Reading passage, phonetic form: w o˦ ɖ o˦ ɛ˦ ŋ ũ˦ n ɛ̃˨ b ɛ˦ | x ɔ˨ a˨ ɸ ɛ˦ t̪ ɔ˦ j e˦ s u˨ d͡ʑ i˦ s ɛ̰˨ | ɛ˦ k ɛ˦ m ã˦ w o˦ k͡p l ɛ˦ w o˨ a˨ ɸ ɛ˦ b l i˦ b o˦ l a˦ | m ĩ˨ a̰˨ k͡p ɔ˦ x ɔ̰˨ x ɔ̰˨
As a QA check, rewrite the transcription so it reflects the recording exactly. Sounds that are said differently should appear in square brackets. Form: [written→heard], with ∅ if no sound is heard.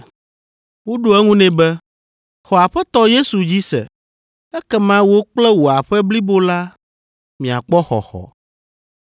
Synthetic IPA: w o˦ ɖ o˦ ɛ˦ ŋ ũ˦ n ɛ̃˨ b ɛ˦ | x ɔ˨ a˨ ɸ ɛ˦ t̪ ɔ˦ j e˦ s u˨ d͡ʑ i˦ s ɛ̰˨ | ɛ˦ k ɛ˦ m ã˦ w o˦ k͡p l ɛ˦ w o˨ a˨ ɸ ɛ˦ b l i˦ b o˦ l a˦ | m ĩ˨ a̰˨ k͡p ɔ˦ x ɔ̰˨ x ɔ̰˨